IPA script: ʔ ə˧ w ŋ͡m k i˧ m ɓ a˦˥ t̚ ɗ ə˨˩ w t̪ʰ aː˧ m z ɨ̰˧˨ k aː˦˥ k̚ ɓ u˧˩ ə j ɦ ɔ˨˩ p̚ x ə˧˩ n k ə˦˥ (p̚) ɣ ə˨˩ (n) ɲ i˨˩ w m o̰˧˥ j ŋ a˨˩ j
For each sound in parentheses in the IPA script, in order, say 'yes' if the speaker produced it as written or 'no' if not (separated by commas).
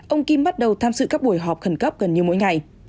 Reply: yes, yes